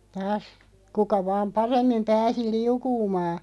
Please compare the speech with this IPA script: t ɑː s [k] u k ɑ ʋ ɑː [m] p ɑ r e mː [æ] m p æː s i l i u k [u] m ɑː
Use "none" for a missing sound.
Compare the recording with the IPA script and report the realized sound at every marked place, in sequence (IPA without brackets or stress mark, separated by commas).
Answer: k, m, i, uː